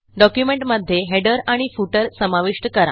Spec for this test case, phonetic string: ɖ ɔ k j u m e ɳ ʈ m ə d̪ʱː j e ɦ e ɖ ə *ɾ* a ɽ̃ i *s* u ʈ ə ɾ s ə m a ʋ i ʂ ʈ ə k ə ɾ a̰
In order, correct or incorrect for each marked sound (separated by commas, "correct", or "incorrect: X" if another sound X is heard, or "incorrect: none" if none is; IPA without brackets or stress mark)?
correct, incorrect: f